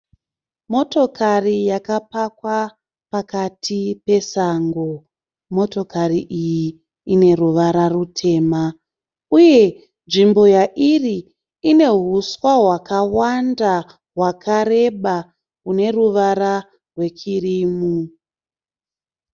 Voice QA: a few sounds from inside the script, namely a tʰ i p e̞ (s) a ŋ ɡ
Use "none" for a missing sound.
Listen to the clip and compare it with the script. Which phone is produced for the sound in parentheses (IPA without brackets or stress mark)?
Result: s